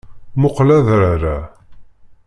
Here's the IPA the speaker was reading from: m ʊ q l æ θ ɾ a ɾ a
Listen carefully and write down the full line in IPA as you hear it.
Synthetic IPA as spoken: m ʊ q l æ ð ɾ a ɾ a